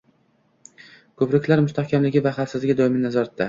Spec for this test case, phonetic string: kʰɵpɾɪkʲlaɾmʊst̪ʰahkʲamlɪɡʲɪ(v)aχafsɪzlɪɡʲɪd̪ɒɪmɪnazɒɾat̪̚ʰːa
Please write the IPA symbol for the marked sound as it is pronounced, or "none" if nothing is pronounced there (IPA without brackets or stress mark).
v